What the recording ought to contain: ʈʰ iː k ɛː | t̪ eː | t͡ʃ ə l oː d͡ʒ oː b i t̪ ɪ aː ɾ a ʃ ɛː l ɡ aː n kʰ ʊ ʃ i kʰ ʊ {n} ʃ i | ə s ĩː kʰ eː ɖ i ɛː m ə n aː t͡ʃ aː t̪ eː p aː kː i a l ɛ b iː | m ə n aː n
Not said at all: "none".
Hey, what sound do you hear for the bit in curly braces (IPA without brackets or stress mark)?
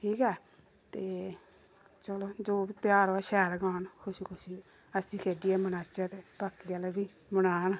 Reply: none